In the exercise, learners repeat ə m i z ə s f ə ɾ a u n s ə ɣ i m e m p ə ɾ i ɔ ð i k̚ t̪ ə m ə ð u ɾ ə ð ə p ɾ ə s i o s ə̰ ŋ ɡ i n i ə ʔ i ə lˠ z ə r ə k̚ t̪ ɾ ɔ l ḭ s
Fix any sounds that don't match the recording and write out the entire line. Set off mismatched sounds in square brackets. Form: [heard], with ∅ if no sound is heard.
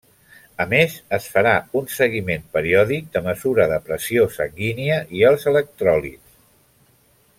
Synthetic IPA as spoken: ə m [e] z ə s f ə ɾ a u n s ə ɣ i m e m p ə ɾ i ɔ ð i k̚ [d̪] ə m ə [z] u ɾ ə ð ə p ɾ ə s i o s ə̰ ŋ ɡ i n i ə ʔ i ə lˠ z ə [l] ə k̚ t̪ ɾ ɔ l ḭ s